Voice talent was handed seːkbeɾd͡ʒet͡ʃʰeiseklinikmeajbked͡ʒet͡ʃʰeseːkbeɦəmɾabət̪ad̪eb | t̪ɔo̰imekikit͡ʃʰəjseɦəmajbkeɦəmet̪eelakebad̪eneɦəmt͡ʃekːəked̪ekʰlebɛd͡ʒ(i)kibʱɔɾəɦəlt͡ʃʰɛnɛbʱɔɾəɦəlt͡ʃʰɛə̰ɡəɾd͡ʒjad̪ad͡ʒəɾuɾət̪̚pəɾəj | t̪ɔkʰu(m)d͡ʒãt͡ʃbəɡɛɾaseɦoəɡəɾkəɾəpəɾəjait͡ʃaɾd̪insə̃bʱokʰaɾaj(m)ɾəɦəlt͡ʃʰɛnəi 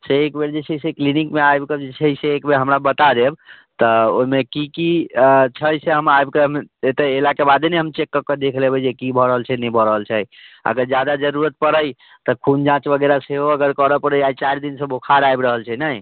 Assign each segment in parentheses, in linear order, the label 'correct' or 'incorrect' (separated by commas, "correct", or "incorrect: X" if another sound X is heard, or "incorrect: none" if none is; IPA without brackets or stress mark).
incorrect: e, incorrect: n, incorrect: b